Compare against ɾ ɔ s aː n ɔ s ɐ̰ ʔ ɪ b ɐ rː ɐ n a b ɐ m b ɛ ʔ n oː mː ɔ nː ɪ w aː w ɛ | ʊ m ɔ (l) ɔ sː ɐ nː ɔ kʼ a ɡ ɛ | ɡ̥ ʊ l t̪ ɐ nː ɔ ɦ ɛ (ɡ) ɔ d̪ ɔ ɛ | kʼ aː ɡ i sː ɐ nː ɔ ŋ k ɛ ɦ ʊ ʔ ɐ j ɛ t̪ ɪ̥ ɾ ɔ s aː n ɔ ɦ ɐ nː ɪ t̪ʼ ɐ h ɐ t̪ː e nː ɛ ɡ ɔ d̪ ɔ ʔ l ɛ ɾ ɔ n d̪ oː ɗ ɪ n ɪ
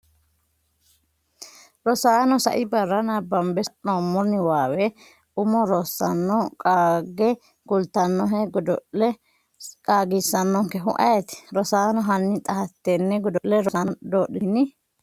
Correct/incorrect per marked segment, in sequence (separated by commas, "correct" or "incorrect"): incorrect, correct